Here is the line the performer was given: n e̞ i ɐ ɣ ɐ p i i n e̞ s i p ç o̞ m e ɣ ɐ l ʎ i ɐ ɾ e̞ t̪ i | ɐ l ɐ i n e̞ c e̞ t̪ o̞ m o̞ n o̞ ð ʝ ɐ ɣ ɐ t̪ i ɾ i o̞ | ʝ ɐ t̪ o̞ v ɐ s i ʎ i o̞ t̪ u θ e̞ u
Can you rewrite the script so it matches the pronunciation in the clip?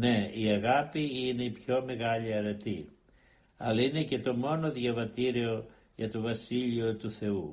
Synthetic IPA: n e̞ i ɐ ɣ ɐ p i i n e̞ i p ç o̞ m e ɣ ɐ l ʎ i ɐ ɾ e̞ t̪ i | ɐ l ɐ i n e̞ c e̞ t̪ o̞ m o̞ n o̞ ð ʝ ɐ v ɐ t̪ i ɾ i o̞ | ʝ ɐ t̪ o̞ v ɐ s i ʎ i o̞ t̪ u θ e̞ u